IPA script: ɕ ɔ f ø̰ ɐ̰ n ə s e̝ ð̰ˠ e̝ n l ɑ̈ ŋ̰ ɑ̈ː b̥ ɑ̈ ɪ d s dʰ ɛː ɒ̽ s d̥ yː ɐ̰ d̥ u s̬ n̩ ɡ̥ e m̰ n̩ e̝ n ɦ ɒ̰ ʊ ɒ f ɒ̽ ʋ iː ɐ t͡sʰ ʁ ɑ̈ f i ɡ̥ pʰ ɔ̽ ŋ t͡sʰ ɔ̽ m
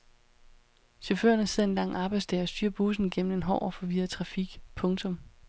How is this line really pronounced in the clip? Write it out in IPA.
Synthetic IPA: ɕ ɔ f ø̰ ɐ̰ n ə s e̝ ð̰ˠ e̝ n l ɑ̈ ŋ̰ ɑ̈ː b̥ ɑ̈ ɪ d s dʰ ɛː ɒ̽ s d̥ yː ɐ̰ b̥ u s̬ n̩ ɡ̥ e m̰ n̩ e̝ n ɦ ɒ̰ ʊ ɒ f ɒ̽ ʋ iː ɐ t͡sʰ ʁ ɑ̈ f i ɡ̥ pʰ ɔ̽ ŋ t͡sʰ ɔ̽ m